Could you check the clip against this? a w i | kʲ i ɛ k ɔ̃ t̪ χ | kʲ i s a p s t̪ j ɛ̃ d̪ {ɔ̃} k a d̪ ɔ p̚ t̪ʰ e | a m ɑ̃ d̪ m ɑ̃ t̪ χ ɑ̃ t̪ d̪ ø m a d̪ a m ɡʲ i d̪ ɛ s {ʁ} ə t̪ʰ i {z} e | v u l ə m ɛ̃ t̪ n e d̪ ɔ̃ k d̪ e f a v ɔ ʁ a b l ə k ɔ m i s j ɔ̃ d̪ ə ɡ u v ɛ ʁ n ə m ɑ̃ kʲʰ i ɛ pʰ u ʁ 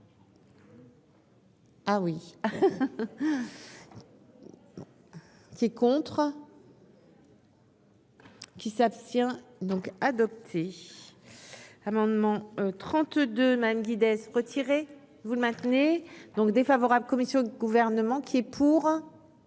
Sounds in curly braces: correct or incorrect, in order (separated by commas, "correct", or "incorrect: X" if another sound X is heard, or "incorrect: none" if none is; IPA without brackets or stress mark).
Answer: correct, correct, incorrect: ʁ